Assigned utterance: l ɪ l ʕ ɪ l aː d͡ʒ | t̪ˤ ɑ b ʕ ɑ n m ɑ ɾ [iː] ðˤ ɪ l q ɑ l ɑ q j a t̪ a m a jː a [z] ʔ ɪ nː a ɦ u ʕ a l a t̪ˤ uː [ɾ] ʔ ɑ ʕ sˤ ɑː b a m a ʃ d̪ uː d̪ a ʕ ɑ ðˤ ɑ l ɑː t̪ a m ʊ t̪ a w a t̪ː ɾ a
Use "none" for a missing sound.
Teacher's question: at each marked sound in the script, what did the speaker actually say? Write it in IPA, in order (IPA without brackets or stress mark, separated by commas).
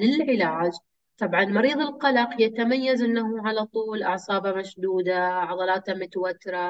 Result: iː, z, l